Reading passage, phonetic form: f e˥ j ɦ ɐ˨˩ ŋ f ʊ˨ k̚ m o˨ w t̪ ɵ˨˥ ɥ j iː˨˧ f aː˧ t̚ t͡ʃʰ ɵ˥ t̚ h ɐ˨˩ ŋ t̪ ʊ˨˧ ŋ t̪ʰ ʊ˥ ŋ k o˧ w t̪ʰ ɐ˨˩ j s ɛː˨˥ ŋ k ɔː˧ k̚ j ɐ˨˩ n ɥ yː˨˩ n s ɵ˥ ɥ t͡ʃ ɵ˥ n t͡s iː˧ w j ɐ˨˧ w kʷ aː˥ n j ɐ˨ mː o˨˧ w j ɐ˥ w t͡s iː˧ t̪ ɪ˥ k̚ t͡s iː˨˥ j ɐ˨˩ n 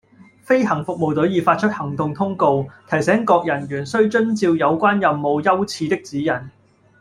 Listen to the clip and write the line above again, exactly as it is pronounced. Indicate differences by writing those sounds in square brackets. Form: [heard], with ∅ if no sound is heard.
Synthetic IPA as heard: f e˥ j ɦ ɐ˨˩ ŋ f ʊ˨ k̚ m o˨ w t̪ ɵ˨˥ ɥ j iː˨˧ f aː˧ t̚ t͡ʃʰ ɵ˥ t̚ h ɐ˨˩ ŋ t̪ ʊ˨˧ ŋ t̪ʰ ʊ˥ ŋ k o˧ w t̪ʰ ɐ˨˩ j s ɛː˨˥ ŋ k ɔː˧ k̚ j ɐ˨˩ n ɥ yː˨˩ n s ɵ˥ ɥ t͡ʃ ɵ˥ n t͡s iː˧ w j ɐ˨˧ w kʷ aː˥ n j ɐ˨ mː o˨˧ w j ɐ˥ w [t͡sʰ] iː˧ t̪ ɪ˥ k̚ t͡s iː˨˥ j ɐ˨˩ n

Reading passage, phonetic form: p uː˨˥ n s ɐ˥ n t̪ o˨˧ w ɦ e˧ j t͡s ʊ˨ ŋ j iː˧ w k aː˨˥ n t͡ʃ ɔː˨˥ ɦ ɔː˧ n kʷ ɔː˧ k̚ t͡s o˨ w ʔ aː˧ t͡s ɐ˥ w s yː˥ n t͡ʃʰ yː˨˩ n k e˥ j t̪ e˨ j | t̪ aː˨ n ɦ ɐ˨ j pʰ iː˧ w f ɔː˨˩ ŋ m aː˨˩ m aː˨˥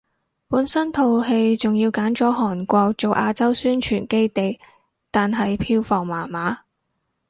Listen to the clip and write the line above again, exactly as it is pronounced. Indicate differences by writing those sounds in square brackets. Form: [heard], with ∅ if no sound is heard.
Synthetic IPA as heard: p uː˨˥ n s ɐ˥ n [t̪ʰ] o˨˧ w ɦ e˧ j t͡s ʊ˨ ŋ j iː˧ w k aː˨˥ n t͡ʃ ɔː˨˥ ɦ [ɔː˨˩] n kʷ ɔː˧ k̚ t͡s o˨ w ʔ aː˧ t͡s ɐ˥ w s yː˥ n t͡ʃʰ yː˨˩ n k e˥ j t̪ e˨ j | t̪ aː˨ n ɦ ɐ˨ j pʰ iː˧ w f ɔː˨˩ ŋ m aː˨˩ m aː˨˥

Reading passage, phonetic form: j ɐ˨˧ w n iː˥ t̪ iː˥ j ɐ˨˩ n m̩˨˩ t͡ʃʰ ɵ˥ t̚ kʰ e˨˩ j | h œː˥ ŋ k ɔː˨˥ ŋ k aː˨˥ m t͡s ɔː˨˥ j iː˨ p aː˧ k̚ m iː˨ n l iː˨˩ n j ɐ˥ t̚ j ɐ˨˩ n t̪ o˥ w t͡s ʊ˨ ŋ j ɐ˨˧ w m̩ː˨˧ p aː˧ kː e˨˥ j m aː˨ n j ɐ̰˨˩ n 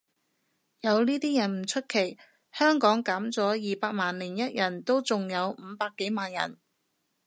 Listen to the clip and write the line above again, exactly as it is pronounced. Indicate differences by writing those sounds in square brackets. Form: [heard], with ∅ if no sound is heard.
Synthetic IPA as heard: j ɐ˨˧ w n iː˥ t̪ iː˥ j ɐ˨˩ n m̩˨˩ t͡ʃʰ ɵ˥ t̚ kʰ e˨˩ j | h œː˥ ŋ k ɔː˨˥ ŋ k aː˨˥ m t͡s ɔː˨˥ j iː˨ p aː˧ k̚ m [aː˨] n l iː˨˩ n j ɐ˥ t̚ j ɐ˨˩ n t̪ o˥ w t͡s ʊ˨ ŋ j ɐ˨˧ w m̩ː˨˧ p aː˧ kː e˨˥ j m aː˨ n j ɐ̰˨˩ n

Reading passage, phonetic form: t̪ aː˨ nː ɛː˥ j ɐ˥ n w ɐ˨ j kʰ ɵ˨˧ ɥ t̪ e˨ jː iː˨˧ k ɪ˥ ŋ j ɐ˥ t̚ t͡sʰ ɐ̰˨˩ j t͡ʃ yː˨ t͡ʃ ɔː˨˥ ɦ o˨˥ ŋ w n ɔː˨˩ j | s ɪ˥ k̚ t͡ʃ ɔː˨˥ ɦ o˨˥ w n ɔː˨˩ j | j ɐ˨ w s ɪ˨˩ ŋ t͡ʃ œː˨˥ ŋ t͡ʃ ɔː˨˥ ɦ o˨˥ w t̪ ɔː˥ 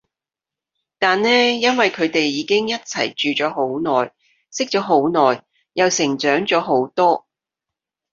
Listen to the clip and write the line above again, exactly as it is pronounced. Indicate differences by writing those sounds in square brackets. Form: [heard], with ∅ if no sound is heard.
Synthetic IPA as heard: t̪ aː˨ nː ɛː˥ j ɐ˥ n w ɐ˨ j kʰ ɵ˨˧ ɥ t̪ e˨ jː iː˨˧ k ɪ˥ ŋ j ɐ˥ t̚ t͡sʰ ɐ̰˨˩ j t͡ʃ yː˨ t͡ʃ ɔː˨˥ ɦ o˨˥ [∅] w n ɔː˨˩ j | s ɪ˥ k̚ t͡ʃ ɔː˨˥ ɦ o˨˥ w n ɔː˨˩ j | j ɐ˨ w s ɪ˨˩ ŋ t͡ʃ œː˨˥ ŋ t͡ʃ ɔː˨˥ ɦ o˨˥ w t̪ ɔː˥

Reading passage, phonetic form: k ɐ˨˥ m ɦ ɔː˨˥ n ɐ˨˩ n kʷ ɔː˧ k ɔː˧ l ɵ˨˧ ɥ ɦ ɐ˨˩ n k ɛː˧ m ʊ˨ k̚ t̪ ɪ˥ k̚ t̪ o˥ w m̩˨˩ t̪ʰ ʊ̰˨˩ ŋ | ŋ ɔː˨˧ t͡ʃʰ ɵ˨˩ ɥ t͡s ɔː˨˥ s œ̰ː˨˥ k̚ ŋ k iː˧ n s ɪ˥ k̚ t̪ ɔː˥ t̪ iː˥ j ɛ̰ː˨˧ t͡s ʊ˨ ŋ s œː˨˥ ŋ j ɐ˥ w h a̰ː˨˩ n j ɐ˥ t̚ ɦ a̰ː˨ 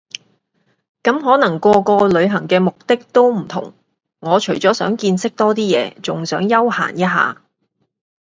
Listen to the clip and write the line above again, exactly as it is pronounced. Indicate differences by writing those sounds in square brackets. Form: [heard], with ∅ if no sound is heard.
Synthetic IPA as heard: k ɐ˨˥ m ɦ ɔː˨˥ n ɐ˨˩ [ŋ] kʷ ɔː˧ k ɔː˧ l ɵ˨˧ ɥ ɦ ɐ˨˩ [ŋ] k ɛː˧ m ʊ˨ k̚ t̪ ɪ˥ k̚ t̪ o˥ w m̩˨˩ t̪ʰ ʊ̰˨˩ ŋ | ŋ ɔː˨˧ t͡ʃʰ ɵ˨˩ ɥ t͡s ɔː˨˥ s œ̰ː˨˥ [∅] ŋ k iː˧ n s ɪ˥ k̚ t̪ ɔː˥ t̪ iː˥ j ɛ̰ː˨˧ t͡s ʊ˨ ŋ s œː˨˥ ŋ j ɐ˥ w h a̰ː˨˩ n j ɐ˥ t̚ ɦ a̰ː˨

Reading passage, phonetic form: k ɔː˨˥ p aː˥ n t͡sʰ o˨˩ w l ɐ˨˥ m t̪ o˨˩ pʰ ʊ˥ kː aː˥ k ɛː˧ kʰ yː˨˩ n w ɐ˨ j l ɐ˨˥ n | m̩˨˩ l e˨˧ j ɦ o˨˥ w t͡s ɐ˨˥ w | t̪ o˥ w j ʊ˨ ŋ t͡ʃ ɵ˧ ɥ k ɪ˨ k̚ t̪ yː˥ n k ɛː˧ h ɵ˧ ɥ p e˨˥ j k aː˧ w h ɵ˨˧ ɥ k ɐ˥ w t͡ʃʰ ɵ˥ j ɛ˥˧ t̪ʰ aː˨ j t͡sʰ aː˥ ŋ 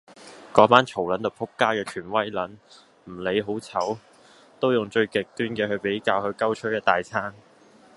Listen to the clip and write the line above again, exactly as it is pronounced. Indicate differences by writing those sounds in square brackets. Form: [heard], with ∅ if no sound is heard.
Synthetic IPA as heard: k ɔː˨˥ p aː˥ n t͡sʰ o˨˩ w l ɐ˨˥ [n] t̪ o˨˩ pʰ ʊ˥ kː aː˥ k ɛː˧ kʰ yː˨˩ n w [ɐ˥] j l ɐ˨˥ n | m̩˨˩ l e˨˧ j ɦ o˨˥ w [t͡sʰ] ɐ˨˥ w | t̪ o˥ w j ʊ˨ ŋ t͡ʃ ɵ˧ ɥ k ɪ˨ k̚ t̪ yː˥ n k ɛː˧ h ɵ˧ ɥ p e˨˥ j k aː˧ w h ɵ˨˧ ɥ k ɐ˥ w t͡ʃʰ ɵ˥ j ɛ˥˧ [t̪] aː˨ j t͡sʰ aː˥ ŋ

